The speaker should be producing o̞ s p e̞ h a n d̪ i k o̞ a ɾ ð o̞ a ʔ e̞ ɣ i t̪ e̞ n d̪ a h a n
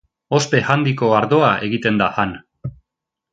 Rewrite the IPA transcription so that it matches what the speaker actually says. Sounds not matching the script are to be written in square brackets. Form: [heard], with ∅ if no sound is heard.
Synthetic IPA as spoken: o̞ s p e̞ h a n d̪ i k o̞ a ɾ ð o̞ a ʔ e̞ ɣ i t̪ e̞ n d̪ a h a n